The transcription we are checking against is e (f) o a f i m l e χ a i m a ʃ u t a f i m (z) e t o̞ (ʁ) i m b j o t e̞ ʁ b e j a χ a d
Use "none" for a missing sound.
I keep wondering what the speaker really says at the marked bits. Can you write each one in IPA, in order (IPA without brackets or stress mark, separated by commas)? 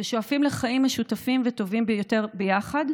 ʃ, v, v